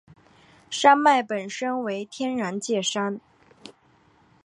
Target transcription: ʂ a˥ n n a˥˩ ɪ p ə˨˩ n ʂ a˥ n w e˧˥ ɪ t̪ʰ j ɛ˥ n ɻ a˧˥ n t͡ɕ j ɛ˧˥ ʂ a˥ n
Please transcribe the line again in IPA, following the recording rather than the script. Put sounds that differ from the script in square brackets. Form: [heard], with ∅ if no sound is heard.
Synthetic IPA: ʂ a˥ n [m] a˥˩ ɪ p ə˨˩ n ʂ [ə˥] n w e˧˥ ɪ t̪ʰ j ɛ˥ n ɻ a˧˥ n t͡ɕ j [ɛ˥˩] ʂ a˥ n